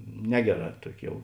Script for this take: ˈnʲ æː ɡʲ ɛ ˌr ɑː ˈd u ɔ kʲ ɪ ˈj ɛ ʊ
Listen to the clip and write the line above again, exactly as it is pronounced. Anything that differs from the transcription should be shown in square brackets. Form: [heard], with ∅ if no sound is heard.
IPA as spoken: ˈnʲ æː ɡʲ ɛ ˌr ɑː [ˈt] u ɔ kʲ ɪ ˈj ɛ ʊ